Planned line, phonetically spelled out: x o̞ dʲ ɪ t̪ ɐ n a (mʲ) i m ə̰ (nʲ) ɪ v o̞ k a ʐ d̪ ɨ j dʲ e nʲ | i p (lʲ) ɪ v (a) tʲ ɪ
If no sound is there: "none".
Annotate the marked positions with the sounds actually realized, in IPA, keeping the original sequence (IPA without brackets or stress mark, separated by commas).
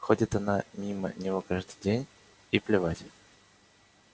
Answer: mʲ, nʲ, lʲ, a